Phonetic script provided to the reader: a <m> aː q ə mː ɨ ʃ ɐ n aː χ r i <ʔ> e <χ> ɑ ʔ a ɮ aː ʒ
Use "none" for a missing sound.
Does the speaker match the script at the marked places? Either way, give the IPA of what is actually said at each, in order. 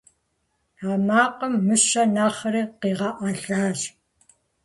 m, q, ʁ

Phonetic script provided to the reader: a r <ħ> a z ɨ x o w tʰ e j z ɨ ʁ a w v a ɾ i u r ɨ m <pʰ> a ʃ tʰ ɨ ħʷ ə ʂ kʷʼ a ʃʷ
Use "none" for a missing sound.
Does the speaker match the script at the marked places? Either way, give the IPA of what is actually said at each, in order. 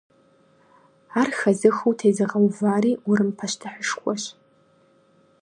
x, pʰ

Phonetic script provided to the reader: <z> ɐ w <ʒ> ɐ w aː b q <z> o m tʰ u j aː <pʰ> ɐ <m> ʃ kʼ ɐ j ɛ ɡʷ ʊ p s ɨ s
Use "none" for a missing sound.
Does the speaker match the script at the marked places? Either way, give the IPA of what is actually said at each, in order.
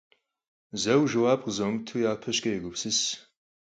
z, ʒ, z, pʰ, none

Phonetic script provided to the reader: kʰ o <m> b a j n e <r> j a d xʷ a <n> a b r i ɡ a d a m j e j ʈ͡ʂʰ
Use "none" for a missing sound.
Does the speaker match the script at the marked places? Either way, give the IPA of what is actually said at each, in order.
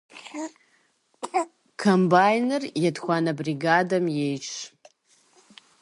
m, r, n

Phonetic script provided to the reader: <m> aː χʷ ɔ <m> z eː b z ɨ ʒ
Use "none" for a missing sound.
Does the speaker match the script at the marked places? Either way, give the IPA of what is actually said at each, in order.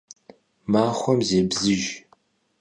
m, m

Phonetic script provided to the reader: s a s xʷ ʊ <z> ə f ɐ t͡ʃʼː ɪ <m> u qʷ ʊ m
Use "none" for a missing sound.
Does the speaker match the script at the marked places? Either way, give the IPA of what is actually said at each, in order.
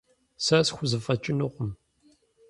z, n

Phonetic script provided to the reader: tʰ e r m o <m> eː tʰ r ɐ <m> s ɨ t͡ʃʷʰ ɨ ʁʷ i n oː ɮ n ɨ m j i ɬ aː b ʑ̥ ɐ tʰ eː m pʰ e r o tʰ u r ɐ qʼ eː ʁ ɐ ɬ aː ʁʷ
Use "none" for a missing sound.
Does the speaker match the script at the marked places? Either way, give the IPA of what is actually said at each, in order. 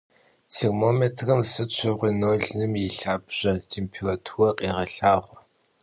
m, m

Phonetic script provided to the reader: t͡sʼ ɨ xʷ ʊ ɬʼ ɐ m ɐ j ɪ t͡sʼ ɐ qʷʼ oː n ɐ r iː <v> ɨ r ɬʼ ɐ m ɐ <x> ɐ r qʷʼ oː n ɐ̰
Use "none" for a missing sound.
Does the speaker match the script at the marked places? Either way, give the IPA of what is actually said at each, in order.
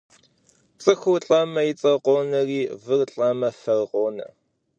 v, f

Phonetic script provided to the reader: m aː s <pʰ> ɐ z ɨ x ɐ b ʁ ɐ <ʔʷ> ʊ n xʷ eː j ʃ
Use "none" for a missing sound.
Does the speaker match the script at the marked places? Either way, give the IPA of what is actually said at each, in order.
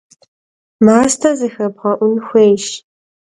tʰ, ʔʷ

